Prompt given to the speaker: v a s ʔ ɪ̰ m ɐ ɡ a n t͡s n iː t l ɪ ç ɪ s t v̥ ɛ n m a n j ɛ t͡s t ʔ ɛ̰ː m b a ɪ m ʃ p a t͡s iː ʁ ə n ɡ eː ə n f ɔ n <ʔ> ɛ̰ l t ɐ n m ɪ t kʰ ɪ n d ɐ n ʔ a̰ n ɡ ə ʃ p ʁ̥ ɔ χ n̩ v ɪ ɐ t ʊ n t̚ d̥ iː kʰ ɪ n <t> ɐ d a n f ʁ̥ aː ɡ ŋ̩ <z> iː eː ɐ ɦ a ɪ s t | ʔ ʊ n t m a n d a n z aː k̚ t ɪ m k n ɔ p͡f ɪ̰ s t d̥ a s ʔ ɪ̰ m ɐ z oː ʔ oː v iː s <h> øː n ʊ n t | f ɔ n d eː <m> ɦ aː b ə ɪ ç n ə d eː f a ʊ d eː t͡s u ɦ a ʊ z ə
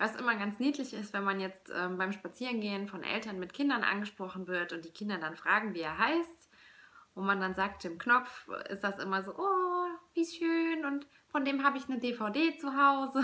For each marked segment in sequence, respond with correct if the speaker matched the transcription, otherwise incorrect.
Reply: correct, incorrect: d, incorrect: v, incorrect: ʃ, correct

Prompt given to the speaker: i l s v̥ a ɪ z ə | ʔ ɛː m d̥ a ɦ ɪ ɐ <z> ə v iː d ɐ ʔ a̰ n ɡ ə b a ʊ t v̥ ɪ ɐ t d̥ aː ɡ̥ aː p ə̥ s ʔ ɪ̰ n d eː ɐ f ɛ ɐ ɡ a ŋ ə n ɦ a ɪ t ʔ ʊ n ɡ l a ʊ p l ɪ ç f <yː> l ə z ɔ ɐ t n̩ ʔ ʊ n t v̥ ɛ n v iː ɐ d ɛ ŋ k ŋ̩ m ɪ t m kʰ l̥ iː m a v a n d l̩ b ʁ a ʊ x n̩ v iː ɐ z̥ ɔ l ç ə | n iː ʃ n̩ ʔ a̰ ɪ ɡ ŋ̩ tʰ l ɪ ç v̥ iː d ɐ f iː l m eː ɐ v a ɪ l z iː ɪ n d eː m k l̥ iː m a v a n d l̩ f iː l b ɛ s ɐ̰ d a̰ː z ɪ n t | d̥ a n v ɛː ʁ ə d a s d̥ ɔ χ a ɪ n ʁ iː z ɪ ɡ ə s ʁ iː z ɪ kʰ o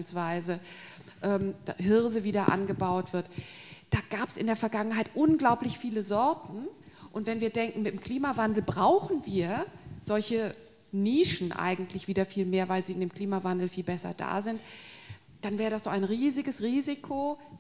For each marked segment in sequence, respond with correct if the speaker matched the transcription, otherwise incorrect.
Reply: correct, incorrect: iː

